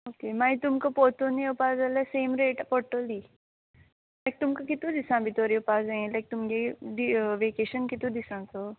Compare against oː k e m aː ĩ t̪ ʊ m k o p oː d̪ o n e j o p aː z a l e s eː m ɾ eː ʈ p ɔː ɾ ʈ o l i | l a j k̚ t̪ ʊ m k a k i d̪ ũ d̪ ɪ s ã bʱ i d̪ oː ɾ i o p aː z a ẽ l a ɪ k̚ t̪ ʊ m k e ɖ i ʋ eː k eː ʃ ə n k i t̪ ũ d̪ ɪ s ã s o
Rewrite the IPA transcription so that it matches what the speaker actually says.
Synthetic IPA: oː k e m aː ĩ t̪ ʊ m k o p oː t̪ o n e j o p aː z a l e s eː m ɾ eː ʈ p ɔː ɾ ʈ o l i | l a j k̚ t̪ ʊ m k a k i t̪ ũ d̪ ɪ s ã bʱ i t̪ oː ɾ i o p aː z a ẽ l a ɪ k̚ t̪ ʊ m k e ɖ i ʋ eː k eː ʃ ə n k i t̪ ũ d̪ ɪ s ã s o